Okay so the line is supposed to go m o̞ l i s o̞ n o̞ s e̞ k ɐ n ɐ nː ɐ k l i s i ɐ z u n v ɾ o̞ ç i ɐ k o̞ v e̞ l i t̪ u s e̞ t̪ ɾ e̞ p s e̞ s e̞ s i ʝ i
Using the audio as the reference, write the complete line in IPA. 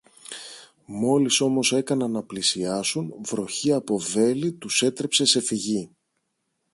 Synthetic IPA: m o̞ l i s o̞ m o̞ s e̞ k ɐ n ɐ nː ɐ p l i s i ɐ s u n v ɾ o̞ ç i ɐ p o̞ v e̞ l i t̪ u s e̞ t̪ ɾ e̞ p s e̞ s e̞ f i ʝ i

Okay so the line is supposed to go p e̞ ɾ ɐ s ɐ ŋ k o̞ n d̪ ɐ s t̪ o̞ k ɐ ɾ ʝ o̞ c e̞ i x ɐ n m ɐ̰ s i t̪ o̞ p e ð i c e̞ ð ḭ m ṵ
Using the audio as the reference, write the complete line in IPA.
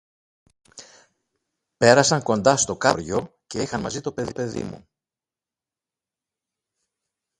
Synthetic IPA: p e̞ ɾ ɐ s ɐ ŋ k o̞ n d̪ ɐ s t̪ o̞ k ɐ ɾ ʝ o̞ c e̞ i x ɐ n m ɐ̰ z i t̪ o̞ p e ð i p e̞ ð ḭ m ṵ

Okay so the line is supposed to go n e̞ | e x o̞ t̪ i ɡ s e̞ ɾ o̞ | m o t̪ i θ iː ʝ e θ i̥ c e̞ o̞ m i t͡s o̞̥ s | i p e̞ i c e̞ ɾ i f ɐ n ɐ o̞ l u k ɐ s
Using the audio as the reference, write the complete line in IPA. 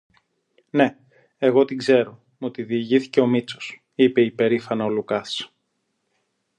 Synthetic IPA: n e̞ | e ɣ o̞ t̪ i ɡ z e̞ ɾ o̞ | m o t̪ i ð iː ʝ i θ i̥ c e̞ o̞ m i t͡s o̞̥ s | i p e̞ i p e̞ ɾ i f ɐ n ɐ o̞ l u k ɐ s

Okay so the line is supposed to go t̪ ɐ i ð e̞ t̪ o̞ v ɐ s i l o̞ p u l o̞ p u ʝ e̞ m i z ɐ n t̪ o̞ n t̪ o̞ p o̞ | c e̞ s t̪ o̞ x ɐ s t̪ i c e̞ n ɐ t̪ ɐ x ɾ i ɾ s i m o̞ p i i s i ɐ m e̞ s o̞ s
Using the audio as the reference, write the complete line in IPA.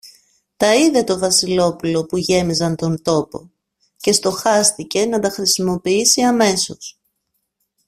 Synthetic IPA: t̪ ɐ i ð e̞ t̪ o̞ v ɐ s i l o̞ p u l o̞ p u ʝ e̞ m i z ɐ n t̪ o̞ n t̪ o̞ p o̞ | c e̞ s t̪ o̞ x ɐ s t̪ i c e̞ n ɐ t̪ ɐ x ɾ i s i m o̞ p i i s i ɐ m e̞ s o̞ s

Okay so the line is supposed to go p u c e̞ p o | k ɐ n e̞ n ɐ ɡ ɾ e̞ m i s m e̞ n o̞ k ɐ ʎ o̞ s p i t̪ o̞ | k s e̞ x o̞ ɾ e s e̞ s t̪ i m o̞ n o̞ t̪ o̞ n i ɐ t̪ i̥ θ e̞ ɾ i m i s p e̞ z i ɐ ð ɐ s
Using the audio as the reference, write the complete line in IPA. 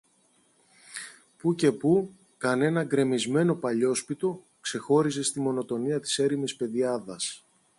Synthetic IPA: p u c e̞ p u | k ɐ n e̞ n ɐ ɡ ɾ e̞ m i z m e̞ n o̞ p ɐ ʎ o̞ s p i t̪ o̞ | k s e̞ x o̞ ɾ i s e̞ s t̪ i m o̞ n o̞ t̪ o̞ n i ɐ t̪ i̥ s e̞ ɾ i m i s p e̞ ð i ɐ ð ɐ s

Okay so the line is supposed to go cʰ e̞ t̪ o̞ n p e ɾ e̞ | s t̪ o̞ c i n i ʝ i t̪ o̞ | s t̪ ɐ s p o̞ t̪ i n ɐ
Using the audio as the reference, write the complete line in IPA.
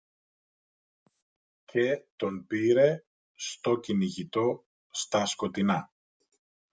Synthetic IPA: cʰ e̞ t̪ o̞ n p i ɾ e̞ | s t̪ o̞ c i n i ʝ i t̪ o̞ | s t̪ ɐ s k o̞ t̪ i n ɐ

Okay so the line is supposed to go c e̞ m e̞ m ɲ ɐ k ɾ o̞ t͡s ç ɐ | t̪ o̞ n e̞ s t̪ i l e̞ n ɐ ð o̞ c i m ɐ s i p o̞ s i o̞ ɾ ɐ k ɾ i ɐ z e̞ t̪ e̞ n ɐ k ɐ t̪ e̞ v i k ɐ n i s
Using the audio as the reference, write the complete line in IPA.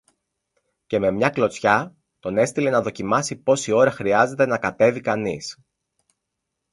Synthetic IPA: c e̞ m e̞ m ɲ ɐ k l o̞ t͡s ç ɐ | t̪ o̞ n e̞ s t̪ i l e̞ n ɐ ð o̞ c i m ɐ s i p o̞ s i o̞ ɾ ɐ x ɾ i ɐ z e̞ t̪ e̞ n ɐ k ɐ t̪ e̞ v i k ɐ n i s

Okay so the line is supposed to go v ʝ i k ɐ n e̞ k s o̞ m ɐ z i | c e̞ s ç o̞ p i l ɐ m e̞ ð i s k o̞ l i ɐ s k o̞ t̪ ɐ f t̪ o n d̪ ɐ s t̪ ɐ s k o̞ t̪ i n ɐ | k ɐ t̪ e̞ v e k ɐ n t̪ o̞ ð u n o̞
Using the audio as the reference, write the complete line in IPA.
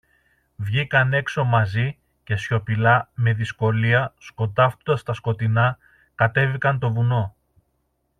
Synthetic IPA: v ʝ i k ɐ n e̞ k s o̞ m ɐ z i | c e̞ s ç o̞ p i l ɐ m e̞ ð i s k o̞ l i ɐ s k o̞ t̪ ɐ f t̪ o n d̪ ɐ s t̪ ɐ s k o̞ t̪ i n ɐ | k ɐ t̪ e̞ v i k ɐ n t̪ o̞ v u n o̞

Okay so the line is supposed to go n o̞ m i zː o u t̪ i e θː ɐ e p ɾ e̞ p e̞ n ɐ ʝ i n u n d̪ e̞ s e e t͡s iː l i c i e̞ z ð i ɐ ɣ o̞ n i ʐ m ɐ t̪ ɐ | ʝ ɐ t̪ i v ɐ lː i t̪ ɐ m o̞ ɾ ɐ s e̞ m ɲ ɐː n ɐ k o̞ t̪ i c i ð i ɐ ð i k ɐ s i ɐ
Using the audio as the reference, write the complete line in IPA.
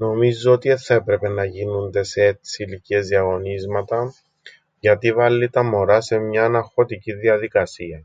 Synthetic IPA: n o̞ m i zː o o t̪ i e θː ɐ e p ɾ e̞ p e̞ n ɐ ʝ i n u n d̪ e̞ s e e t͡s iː l i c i e̞ z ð i ɐ ɣ o̞ n i z m ɐ t̪ ɐ | ʝ ɐ t̪ i v ɐ lː i t̪ ɐ m o̞ ɾ ɐ s e̞ m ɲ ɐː n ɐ x o̞ t̪ i c i ð i ɐ ð i k ɐ s i ɐ

